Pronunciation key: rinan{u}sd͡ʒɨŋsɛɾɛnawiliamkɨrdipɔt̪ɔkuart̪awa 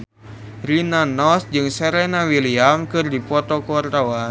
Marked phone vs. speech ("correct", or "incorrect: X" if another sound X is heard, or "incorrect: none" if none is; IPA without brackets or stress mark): incorrect: ɔ